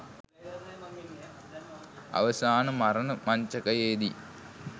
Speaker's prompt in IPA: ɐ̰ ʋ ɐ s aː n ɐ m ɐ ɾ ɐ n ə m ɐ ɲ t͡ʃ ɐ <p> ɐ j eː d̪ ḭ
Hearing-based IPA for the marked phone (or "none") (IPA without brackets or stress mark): k